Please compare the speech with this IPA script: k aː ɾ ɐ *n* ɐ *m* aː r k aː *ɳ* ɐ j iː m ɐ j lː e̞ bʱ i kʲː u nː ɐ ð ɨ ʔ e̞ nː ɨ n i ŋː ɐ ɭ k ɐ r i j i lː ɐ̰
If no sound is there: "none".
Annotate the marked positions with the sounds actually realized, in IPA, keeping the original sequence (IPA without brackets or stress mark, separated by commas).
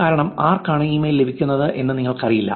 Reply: ɳ, m, ɳ